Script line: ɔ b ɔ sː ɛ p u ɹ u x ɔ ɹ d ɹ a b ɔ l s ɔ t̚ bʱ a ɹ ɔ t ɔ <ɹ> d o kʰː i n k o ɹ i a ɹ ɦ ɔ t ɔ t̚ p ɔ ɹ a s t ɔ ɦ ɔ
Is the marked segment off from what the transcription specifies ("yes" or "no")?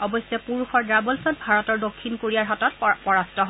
no